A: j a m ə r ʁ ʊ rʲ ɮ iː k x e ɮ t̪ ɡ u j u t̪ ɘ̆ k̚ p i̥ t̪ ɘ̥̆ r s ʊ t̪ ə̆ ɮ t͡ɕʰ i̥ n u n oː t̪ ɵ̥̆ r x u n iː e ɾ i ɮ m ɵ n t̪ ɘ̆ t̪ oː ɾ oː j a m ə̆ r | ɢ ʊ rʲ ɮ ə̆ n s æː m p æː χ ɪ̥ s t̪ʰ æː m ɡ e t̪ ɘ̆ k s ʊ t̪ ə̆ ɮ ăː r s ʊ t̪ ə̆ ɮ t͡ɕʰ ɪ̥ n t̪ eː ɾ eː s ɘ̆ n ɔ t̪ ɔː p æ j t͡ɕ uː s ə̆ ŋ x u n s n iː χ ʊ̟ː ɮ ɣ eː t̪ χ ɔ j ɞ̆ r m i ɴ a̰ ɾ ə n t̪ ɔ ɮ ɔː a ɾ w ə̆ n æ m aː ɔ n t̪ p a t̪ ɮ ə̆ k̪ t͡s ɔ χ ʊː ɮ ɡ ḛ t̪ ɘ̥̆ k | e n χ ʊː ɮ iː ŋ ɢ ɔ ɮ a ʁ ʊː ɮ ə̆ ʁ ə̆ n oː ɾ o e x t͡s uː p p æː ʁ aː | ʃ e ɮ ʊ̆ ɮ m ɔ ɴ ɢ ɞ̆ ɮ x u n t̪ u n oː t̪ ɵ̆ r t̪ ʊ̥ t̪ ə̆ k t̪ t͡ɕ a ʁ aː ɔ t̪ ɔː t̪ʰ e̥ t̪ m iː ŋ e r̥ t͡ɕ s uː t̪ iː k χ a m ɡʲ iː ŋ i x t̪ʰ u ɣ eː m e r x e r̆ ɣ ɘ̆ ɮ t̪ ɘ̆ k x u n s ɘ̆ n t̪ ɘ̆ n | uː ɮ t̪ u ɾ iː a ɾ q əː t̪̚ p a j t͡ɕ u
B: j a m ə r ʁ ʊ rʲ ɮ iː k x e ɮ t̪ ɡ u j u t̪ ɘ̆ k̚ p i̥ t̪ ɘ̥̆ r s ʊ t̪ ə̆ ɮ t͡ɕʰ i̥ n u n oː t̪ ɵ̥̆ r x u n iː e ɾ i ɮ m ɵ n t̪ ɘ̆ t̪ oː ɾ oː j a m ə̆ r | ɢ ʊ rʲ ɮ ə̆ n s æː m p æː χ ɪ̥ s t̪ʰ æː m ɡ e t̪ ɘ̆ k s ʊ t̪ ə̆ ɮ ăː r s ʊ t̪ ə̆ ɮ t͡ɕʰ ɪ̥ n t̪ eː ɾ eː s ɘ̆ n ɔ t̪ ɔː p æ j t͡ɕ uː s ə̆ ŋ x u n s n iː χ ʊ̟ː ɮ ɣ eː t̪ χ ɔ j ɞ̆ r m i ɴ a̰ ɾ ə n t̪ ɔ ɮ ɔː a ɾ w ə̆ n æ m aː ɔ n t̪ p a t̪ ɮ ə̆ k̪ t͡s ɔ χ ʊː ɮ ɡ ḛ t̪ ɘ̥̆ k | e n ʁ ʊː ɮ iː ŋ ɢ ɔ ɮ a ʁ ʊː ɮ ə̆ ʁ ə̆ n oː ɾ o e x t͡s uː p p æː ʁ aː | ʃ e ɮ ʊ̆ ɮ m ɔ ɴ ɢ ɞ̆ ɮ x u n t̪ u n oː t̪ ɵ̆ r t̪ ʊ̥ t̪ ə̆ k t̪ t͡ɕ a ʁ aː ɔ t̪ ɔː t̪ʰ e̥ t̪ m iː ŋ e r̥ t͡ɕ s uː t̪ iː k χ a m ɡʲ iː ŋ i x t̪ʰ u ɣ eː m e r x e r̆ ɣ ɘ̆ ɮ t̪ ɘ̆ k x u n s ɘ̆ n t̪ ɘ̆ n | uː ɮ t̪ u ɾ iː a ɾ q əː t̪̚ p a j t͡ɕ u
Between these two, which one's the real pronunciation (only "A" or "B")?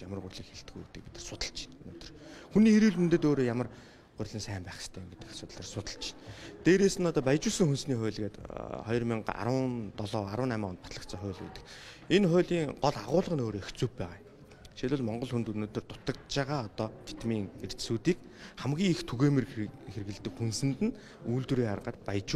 A